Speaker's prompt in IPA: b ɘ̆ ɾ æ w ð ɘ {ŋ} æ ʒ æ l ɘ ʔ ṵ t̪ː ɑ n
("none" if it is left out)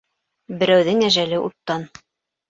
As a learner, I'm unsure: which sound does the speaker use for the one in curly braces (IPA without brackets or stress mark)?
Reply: ŋ